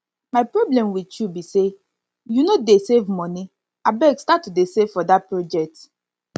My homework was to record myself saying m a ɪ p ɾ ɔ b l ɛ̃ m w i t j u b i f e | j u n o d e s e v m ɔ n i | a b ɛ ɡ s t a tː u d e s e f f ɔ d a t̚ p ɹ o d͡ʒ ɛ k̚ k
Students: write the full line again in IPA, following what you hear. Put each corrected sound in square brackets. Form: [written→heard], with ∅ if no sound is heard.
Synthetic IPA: m a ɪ p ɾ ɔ b l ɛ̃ m w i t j u b i [f→s] e | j u n o d e s e v m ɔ n i | a b ɛ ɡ s t a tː u d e s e [f→v] f ɔ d a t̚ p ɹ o d͡ʒ ɛ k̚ [k→t]